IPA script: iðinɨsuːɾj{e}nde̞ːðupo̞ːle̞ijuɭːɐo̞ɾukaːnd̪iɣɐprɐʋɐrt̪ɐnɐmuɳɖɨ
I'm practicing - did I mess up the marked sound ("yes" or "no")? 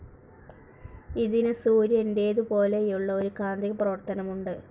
no